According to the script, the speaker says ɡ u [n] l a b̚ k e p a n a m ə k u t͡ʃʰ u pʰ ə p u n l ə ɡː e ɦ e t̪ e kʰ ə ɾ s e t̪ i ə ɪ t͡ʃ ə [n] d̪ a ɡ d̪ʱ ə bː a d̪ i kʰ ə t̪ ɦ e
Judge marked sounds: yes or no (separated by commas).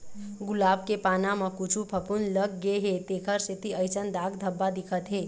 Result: no, yes